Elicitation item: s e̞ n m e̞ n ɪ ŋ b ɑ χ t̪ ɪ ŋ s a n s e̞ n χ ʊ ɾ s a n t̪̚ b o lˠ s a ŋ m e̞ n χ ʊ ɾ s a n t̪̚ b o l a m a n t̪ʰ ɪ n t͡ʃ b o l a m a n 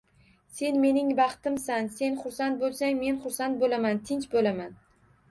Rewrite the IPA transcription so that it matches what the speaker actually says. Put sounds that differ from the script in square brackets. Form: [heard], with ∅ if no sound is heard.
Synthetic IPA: s e̞ n m e̞ n ɪ ŋ b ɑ χ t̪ ɪ [m] s a n s e̞ n χ ʊ ɾ s a n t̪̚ b o lˠ s a ŋ m e̞ n χ ʊ ɾ s a n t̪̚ b o l a m a n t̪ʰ ɪ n t͡ʃ b o l a m a n